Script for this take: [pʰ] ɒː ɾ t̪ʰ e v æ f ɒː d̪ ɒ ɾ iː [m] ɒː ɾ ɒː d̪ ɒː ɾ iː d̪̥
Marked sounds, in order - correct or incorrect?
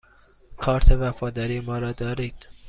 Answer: incorrect: kʰ, correct

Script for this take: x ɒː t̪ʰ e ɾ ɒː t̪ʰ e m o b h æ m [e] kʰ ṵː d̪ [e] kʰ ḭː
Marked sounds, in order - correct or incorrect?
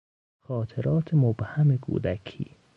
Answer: correct, incorrect: æ

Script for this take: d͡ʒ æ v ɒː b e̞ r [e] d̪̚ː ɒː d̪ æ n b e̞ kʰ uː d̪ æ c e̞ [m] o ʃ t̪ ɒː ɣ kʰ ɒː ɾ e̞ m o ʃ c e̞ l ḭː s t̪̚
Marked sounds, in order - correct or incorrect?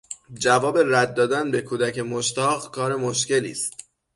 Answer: incorrect: æ, correct

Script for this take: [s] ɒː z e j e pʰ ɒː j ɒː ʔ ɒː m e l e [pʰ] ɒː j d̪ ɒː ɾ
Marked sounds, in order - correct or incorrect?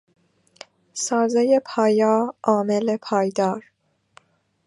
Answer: correct, correct

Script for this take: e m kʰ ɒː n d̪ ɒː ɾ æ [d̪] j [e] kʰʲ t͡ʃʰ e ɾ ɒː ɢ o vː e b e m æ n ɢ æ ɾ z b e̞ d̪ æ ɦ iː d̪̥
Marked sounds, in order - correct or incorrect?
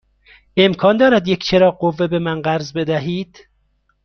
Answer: correct, correct

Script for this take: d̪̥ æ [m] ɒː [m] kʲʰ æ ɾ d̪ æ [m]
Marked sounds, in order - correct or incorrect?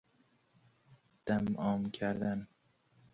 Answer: correct, correct, incorrect: n

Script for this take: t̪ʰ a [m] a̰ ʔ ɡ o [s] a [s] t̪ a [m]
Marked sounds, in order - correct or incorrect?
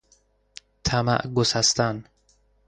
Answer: correct, correct, correct, incorrect: n

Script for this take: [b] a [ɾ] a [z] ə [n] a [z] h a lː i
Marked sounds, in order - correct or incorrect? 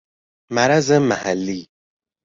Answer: incorrect: m, correct, correct, incorrect: m, incorrect: none

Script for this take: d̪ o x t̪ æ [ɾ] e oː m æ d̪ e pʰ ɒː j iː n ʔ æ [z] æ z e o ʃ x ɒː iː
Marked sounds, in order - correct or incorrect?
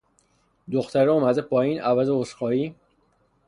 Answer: correct, incorrect: v

